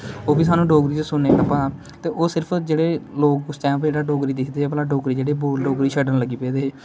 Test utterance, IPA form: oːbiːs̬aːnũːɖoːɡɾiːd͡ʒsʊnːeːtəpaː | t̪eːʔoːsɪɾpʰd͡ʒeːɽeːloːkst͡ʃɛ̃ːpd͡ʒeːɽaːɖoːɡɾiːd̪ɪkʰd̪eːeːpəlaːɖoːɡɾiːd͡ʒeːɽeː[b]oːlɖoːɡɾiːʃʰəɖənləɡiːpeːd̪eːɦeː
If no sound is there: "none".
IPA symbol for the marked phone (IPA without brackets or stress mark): b